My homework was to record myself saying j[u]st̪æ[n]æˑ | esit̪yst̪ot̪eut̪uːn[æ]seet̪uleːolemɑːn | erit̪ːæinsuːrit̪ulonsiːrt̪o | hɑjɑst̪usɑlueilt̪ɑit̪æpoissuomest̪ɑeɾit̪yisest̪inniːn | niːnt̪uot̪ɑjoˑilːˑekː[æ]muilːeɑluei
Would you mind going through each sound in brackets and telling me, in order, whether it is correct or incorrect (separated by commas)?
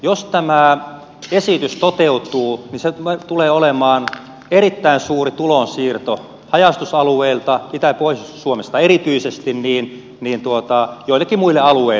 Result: incorrect, incorrect, incorrect, incorrect